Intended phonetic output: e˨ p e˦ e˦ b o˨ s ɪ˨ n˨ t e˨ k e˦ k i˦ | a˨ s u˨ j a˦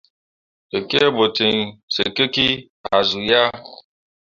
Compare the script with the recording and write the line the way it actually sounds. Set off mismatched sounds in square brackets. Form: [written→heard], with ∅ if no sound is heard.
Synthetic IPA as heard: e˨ [p→k] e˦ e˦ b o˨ [s→t] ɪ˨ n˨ [t→s] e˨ k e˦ k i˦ | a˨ [s→z] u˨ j a˦